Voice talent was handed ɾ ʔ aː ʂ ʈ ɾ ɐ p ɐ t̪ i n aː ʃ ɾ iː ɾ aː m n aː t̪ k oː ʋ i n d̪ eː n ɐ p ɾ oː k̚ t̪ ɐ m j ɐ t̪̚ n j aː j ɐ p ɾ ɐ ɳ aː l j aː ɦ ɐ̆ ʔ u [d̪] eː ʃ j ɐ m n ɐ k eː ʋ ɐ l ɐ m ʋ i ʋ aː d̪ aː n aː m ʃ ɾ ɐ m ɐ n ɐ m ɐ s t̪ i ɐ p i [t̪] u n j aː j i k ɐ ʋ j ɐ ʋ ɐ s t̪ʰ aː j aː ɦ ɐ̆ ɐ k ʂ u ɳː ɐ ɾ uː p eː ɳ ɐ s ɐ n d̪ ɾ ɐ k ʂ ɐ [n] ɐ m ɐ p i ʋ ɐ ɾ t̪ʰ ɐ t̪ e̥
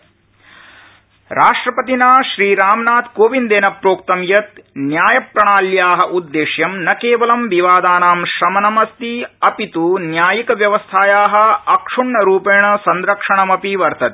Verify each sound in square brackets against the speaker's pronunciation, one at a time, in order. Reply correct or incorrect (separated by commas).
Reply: incorrect, correct, incorrect